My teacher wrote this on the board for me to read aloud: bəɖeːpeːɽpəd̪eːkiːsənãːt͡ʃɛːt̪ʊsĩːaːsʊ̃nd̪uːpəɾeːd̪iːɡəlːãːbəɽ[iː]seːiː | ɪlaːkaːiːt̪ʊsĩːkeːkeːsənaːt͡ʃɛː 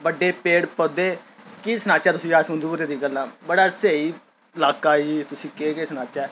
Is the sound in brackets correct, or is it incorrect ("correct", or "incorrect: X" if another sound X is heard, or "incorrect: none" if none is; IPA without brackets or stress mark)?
incorrect: aː